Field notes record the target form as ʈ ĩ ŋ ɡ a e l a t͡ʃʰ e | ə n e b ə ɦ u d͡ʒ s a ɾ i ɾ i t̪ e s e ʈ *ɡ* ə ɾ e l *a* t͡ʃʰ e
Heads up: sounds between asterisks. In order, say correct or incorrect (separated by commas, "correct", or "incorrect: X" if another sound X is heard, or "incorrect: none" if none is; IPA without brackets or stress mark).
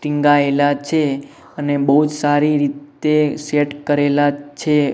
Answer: incorrect: k, correct